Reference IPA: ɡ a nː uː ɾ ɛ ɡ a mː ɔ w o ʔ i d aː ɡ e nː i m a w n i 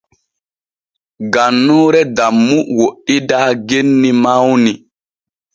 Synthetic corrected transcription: ɡ a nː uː ɾ ɛ d a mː u w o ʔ i d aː ɡ e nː i m a w n i